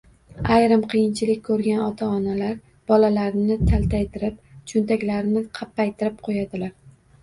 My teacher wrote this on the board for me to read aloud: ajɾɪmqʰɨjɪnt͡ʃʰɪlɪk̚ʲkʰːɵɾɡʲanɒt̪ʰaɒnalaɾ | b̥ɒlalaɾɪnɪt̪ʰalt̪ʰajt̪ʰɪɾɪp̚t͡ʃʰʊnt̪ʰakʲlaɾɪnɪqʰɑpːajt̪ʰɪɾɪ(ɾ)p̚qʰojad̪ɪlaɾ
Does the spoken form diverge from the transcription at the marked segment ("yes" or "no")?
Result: yes